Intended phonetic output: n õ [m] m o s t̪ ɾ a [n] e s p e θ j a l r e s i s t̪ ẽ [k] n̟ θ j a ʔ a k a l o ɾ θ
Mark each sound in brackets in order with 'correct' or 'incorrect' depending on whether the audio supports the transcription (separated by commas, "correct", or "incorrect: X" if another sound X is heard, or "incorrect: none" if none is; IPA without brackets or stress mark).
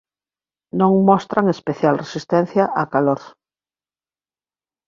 incorrect: ŋ, incorrect: ŋ, incorrect: none